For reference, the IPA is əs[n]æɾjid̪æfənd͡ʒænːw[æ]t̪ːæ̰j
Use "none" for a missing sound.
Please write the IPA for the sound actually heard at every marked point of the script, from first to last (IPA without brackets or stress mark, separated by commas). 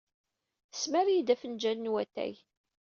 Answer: m, æ